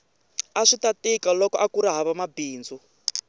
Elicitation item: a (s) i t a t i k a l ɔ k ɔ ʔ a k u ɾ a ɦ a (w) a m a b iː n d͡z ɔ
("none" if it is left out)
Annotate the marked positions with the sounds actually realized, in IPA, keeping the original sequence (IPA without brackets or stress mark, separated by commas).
ʂ, β